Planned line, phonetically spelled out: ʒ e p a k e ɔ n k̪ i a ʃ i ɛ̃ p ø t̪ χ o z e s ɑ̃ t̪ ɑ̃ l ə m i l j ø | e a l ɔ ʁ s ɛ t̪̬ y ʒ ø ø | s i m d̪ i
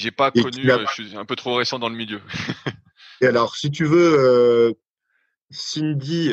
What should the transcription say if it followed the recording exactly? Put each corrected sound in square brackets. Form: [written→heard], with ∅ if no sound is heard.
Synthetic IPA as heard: ʒ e p a k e ɔ n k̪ [i→y] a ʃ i ɛ̃ p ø t̪ χ o [z→ʁ] e s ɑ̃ [t̪→d̪] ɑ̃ l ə m i l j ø | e a l ɔ ʁ s [ɛ→i] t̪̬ y [ʒ→v] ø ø | s i [m→n] d̪ i